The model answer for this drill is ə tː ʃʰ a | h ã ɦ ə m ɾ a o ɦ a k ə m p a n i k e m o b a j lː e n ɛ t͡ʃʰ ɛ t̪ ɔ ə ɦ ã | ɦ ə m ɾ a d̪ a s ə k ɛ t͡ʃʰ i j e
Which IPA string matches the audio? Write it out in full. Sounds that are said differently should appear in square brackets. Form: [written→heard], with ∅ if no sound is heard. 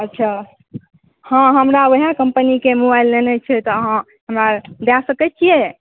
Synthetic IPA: ə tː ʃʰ a | h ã ɦ ə m ɾ a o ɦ a k ə m p [a→ə] n i k e m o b a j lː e n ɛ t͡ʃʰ ɛ t̪ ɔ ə ɦ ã | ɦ ə m ɾ a d̪ a s ə k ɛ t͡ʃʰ i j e